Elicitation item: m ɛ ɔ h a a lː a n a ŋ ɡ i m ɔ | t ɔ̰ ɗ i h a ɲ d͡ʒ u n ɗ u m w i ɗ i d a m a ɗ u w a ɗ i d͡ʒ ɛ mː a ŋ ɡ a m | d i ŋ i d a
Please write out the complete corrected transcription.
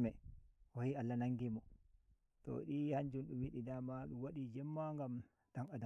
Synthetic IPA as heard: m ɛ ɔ h i a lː a n a ŋ ɡ i m ɔ | t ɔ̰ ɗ i h a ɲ d͡ʒ u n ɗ u m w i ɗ i d a m a ɗ u w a ɗ i d͡ʒ ɛ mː a ŋ ɡ a m | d a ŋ a d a